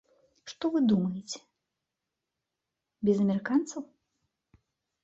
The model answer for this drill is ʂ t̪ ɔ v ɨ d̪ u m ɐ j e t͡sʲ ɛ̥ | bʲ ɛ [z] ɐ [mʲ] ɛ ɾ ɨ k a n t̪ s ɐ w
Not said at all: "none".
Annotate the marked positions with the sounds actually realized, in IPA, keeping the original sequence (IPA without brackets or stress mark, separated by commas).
z, mʲ